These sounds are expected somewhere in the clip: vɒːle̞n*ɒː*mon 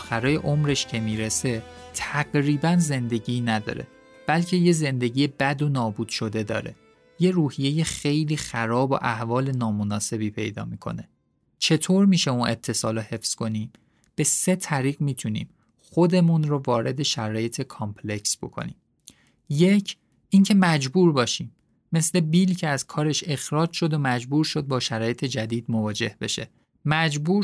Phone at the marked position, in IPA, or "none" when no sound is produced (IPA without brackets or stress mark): ɒː